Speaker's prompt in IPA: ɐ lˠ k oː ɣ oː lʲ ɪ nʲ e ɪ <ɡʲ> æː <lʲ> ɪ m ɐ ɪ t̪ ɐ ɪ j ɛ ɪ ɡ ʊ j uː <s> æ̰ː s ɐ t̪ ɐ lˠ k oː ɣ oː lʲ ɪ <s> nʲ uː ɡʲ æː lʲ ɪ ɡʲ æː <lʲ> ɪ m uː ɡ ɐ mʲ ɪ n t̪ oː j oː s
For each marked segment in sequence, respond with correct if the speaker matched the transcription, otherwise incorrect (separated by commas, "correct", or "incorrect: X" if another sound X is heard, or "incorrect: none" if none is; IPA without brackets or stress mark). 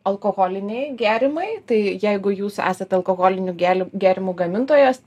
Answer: correct, incorrect: ɾʲ, correct, incorrect: none, incorrect: ɾʲ